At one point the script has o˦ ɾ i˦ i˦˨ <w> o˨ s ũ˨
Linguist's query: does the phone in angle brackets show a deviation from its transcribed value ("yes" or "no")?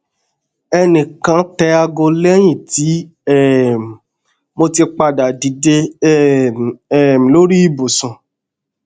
yes